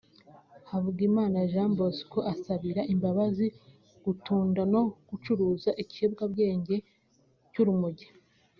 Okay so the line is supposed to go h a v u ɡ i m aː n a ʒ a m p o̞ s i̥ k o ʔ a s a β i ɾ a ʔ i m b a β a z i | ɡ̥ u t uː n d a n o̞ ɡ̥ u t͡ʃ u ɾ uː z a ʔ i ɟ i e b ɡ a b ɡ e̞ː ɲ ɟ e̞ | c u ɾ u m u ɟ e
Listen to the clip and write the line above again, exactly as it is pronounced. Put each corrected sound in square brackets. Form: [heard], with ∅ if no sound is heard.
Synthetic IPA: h a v u ɡ i m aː n a ʒ a m [b] o̞ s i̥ k o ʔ a s a β i ɾ a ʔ i m b a β a z i | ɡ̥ u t uː n d a n o̞ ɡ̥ u t͡ʃ u ɾ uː z a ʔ i [c] i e b ɡ a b ɡ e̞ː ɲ ɟ e̞ | c u ɾ u m u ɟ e